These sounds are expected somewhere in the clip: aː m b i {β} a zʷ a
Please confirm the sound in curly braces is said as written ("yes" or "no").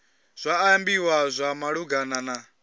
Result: no